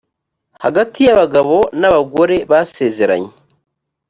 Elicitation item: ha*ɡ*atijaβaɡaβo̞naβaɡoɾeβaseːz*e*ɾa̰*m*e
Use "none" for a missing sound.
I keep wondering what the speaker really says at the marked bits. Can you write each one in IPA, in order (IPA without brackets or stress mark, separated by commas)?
ɡ, e, ɲ